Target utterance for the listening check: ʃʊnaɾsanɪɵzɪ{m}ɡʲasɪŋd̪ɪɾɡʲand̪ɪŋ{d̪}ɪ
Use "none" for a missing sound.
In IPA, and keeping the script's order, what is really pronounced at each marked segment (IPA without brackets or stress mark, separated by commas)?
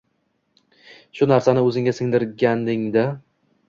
ŋ, d̪